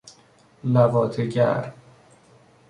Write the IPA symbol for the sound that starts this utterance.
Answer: l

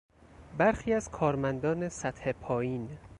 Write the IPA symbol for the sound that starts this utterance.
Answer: b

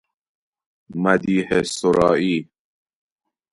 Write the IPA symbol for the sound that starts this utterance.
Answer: m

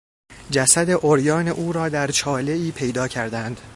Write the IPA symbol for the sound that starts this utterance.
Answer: d͡ʒ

